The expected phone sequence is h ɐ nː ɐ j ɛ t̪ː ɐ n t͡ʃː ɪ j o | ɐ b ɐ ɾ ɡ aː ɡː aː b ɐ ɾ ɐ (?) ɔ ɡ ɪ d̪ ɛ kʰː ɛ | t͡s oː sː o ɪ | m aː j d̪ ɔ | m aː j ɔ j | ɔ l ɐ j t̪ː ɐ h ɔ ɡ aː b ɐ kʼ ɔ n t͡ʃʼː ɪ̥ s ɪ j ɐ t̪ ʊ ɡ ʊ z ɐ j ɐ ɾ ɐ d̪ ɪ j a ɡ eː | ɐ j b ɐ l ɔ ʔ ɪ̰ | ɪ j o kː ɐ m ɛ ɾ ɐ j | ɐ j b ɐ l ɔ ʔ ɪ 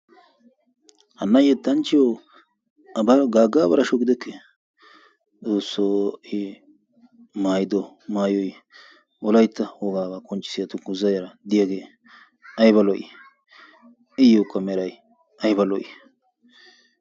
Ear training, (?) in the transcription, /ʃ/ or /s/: ʃ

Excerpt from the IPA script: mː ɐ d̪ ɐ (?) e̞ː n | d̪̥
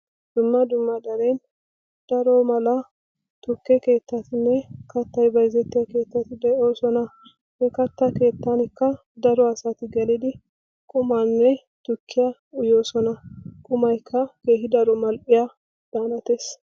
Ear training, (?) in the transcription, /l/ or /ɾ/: ɾ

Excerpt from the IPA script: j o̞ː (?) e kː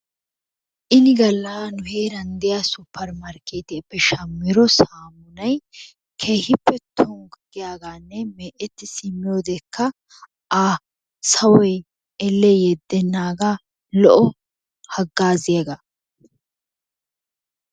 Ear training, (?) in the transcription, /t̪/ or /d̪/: d̪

